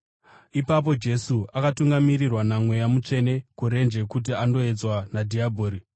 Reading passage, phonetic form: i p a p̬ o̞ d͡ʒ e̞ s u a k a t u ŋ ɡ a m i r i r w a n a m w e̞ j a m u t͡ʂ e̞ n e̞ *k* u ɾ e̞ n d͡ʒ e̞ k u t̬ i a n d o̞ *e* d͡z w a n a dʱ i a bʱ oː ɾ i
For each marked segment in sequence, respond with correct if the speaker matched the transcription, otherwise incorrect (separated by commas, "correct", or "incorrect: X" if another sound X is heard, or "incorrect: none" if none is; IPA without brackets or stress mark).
correct, correct